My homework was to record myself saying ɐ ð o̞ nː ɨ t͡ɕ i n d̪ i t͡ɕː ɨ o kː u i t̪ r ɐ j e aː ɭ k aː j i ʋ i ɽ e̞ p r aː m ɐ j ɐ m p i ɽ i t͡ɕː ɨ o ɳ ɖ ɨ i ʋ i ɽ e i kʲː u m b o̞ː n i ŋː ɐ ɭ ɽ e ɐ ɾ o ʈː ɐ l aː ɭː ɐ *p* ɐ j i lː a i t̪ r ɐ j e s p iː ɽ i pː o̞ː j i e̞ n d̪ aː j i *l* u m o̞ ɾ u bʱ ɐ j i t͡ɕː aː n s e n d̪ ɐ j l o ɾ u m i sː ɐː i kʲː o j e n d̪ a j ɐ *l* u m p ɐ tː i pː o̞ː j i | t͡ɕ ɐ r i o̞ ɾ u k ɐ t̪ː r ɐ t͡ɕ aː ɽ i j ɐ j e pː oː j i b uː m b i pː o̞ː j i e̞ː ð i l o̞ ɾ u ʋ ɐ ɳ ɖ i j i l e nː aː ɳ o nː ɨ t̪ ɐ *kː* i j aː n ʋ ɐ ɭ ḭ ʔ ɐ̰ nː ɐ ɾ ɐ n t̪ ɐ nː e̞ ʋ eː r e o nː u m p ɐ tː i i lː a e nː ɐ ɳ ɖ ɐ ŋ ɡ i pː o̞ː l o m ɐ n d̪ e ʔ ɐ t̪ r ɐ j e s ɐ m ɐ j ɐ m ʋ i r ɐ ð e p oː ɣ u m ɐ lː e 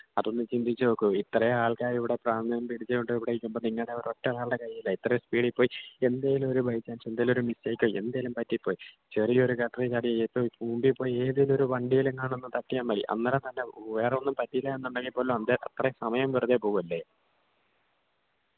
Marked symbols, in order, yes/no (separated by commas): no, yes, yes, no